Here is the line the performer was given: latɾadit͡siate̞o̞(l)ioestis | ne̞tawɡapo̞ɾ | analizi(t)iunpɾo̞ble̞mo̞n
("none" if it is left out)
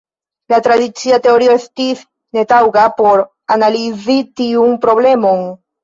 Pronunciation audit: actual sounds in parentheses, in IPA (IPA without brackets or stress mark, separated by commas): ɾ, t